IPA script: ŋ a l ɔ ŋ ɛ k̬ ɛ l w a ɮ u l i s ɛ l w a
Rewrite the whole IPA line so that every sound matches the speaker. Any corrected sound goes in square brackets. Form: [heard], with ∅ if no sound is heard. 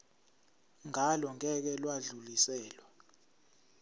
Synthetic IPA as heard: ŋ a l ɔ ŋ ɛ k̬ ɛ l w a ɮ u l i s [ɛː] l w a